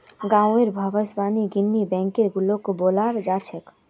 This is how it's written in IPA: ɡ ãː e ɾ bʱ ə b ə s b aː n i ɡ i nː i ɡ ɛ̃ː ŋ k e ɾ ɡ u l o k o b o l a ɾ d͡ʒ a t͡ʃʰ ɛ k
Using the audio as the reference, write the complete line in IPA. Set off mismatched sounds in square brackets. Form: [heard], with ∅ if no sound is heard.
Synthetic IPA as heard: ɡ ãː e ɾ bʱ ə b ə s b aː n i ɡ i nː i [b] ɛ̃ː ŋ k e ɾ ɡ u l o k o b o l a ɾ d͡ʒ a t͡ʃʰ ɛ k